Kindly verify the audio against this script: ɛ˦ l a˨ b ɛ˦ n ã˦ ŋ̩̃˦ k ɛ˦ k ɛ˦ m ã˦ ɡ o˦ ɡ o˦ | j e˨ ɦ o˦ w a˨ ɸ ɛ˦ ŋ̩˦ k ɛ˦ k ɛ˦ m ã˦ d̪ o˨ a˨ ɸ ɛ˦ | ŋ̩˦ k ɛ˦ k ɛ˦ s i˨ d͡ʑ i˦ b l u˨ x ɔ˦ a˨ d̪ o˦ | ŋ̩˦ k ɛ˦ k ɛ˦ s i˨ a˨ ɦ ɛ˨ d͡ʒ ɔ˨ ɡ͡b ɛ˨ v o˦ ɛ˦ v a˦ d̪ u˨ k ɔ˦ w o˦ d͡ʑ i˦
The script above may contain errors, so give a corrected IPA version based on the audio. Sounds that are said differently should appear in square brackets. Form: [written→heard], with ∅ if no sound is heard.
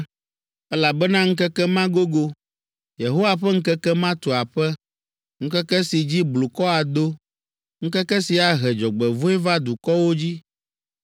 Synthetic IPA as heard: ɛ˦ l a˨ b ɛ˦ n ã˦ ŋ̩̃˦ k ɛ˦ k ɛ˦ m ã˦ ɡ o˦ ɡ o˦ | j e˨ ɦ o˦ w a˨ ɸ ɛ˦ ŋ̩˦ k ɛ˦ k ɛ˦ m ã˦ [d̪→t̪] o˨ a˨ ɸ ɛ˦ | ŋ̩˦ k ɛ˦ k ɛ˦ s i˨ d͡ʑ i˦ b l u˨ [x→k] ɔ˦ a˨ d̪ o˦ | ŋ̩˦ k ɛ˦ k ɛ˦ s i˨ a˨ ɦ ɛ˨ d͡ʒ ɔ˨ ɡ͡b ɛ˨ v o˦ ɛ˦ v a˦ d̪ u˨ k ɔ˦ w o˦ d͡ʑ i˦